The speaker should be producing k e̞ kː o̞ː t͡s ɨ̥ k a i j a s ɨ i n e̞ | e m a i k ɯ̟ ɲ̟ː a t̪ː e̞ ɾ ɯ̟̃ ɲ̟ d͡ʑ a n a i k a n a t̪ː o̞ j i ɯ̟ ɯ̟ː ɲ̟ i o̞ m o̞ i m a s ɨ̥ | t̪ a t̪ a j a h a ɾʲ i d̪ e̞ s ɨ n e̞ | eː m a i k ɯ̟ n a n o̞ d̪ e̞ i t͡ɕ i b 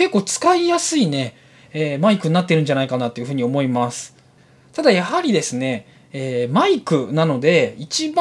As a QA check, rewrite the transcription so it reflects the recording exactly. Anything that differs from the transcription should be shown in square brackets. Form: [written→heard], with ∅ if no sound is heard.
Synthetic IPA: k e̞ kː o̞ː t͡s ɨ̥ k a i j a s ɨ i n e̞ | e m a i k ɯ̟ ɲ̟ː a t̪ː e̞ ɾ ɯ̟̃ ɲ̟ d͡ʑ a n a i k a n a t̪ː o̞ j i ɯ̟ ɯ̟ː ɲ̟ i o̞ m o̞ i m a s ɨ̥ | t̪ a [t̪→d̪] a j a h a ɾʲ i d̪ e̞ s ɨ n e̞ | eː m a i k ɯ̟ n a n o̞ d̪ e̞ i t͡ɕ i b